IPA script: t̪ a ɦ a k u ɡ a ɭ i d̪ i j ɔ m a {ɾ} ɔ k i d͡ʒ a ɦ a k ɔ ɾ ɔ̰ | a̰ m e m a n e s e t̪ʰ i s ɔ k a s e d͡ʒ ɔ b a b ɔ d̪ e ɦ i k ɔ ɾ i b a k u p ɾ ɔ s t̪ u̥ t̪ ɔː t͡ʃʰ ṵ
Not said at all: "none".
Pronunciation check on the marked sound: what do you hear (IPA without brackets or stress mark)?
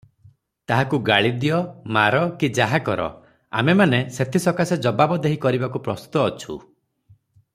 ɾ